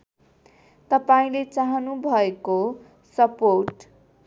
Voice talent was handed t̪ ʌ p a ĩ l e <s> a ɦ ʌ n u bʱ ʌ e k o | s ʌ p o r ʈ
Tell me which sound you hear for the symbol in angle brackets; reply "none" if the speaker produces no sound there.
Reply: t͡s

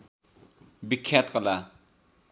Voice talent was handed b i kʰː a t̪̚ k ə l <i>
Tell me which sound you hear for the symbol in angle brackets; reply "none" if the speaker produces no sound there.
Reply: a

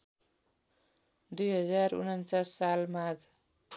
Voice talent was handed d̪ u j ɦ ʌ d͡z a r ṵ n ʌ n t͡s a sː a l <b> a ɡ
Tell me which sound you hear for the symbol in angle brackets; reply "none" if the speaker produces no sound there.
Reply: m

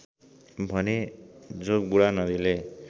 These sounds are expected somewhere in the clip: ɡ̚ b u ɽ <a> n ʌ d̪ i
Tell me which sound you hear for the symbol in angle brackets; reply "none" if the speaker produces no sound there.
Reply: a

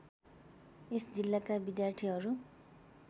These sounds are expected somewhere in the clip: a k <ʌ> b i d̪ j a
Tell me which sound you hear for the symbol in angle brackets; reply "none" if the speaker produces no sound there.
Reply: a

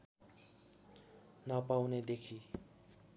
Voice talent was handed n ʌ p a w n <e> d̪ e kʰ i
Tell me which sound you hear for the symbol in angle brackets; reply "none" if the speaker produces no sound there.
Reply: e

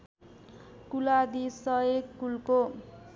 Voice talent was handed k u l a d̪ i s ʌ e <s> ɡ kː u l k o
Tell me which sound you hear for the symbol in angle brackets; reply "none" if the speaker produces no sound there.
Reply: none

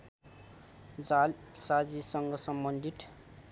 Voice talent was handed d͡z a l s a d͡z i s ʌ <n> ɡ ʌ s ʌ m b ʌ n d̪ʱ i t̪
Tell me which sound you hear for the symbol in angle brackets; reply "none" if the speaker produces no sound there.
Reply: ŋ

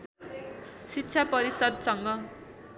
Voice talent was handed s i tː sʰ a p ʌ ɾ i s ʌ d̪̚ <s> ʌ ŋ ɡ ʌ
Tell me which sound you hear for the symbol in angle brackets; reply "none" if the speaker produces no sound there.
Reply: s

